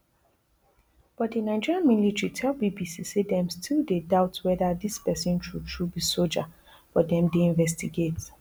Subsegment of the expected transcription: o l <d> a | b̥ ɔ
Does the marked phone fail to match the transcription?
yes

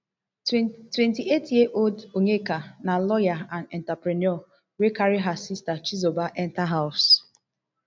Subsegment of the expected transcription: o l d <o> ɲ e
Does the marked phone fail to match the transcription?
no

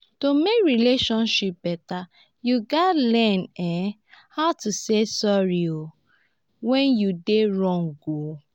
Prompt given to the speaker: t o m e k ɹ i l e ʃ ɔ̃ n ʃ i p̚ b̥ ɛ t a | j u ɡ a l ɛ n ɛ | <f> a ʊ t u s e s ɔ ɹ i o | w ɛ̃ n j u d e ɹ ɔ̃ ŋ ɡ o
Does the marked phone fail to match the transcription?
yes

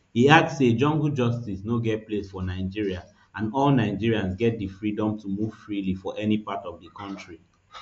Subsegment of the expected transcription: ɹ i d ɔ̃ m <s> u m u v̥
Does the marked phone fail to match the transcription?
yes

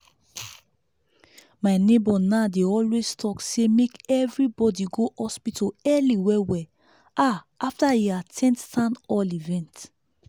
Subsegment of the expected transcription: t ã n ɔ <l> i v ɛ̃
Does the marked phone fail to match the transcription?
no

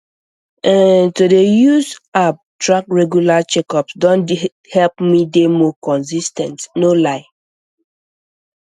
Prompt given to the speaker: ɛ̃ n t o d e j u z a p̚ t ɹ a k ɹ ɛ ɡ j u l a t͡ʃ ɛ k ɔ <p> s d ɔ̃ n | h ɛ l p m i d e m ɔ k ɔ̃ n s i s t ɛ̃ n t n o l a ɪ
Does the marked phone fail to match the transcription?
no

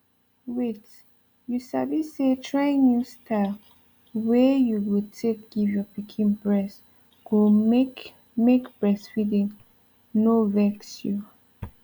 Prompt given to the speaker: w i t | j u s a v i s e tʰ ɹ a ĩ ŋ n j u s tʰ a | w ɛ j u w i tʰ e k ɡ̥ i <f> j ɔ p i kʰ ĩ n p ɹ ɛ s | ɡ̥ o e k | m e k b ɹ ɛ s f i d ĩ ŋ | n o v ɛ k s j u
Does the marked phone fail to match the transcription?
yes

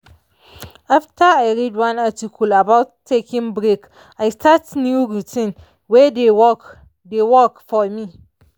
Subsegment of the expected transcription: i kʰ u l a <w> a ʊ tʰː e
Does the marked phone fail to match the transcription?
yes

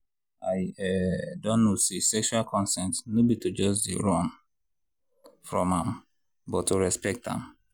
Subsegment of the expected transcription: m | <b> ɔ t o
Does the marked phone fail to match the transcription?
no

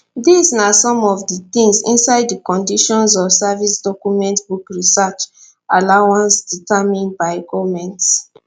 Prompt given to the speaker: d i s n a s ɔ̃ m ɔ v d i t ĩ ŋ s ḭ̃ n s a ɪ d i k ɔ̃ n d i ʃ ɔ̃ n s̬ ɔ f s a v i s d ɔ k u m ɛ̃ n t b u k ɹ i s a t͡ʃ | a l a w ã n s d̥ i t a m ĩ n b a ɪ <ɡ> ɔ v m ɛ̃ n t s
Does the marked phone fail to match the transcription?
no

